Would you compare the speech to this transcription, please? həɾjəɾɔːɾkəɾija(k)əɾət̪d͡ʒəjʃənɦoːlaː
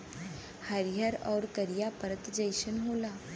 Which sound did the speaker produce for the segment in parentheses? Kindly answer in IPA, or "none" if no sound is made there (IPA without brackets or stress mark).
p